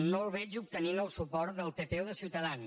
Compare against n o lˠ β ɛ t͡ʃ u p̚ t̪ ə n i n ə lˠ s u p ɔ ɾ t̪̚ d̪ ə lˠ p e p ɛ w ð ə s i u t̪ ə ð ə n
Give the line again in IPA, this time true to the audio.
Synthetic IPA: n o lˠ β ɛ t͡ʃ u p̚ t̪ ə n i n ə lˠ s u p ɔ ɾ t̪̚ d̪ ə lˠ p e p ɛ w ð ə s i w t̪ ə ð a n